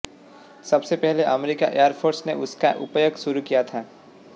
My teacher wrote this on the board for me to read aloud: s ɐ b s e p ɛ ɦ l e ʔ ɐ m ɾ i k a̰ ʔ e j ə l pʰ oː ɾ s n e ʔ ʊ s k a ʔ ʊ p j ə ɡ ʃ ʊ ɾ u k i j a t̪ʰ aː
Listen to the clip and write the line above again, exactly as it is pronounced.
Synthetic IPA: s ɐ b s e p ɛ ɦ l e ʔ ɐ m ɾ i k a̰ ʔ e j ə ɾ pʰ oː ɾ s n e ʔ ʊ s k a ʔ ʊ p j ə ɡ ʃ ʊ ɾ u k i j a t̪ʰ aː

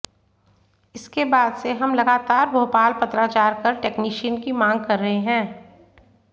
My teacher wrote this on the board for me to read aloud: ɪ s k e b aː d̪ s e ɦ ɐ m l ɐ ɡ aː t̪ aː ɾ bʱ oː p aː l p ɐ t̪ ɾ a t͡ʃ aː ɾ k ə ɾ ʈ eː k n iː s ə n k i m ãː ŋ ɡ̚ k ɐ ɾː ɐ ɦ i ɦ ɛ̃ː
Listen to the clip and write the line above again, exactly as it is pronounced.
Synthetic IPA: ɪ s k e b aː d̪ s e ɦ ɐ m l ɐ ɡ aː t̪ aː ɾ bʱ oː p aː l p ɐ t̪ ɾ a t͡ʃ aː ɾ k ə ɾ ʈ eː k n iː ʃ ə n k i m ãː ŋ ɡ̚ k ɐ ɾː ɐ ɦ e ɦ ɛ̃ː

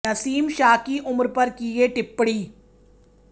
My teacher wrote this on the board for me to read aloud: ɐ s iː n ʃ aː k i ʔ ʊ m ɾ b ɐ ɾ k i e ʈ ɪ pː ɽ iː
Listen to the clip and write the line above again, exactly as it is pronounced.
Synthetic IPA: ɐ s iː m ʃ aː k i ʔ ʊ m ɾ p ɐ ɾ k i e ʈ ɪ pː ɽ iː

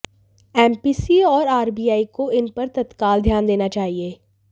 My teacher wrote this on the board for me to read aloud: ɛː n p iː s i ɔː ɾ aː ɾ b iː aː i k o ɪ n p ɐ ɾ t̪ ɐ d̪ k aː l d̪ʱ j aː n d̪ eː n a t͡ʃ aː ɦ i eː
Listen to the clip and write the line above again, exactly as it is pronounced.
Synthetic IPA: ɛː m p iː s i ɔː ɾ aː ɾ b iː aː i k o ɪ n p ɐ ɾ t̪ ɐ t̪ k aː l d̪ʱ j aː n d̪ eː n a t͡ʃ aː ɦ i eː

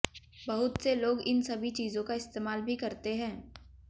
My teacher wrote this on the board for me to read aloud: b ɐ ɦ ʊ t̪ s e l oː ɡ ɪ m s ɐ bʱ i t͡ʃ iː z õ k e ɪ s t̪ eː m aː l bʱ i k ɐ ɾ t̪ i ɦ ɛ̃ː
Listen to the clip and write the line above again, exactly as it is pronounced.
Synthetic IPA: b ɐ ɦ ʊ t̪ s e l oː ɡ ɪ n s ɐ bʱ i t͡ʃ iː z õ k a ɪ s t̪ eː m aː l bʱ i k ɐ ɾ t̪ e ɦ ɛ̃ː

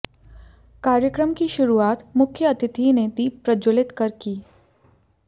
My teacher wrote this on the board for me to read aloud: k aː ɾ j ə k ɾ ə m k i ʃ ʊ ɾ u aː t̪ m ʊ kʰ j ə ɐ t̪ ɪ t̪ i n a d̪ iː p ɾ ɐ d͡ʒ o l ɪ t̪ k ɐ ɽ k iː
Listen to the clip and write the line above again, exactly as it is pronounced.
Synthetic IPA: k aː ɾ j ə k ɾ ə m k i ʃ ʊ ɾ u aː t̪ m ʊ kʰ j ə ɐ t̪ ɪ t̪ i n e d̪ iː p ɾ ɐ d͡ʒ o l ɪ t̪ k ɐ ɾ k iː

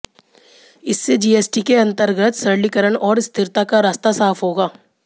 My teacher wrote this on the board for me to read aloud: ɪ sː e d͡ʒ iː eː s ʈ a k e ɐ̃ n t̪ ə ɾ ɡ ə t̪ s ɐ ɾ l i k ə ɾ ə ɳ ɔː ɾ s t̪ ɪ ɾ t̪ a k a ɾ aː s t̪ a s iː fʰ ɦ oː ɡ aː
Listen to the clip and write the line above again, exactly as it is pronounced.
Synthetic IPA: ɪ sː e d͡ʒ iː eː s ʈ i k e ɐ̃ n t̪ ə ɾ ɡ ə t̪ s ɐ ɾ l i k ə ɾ ə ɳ ɔː ɾ s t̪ ɪ ɾ t̪ a k a ɾ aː s t̪ a s aː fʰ ɦ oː ɡ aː

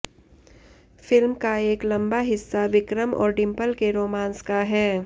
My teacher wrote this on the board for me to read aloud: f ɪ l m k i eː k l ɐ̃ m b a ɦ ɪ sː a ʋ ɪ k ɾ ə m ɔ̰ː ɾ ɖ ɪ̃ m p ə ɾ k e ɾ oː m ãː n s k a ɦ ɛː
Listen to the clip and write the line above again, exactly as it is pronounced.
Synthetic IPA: f ɪ l m k a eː k l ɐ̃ m b a ɦ ɪ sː a ʋ ɪ k ɾ ə m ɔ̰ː ɾ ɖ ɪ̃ m p ə l k e ɾ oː m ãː n s k a ɦ ɛː

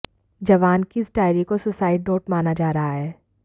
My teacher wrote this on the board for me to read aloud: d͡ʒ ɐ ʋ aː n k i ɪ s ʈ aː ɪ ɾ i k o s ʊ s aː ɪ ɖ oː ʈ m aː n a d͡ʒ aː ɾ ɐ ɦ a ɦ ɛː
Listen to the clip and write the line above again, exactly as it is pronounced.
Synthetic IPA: d͡ʒ ɐ ʋ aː n k i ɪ s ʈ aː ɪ ɾ i k o s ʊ s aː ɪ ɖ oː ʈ m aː n a d͡ʒ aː ɾ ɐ ɦ a ɦ ɛː

